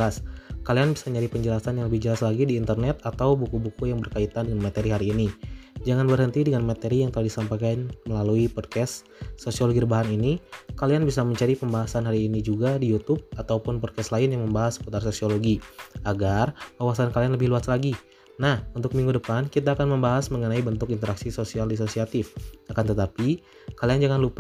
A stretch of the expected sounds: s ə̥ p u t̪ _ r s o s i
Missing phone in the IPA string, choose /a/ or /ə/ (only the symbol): a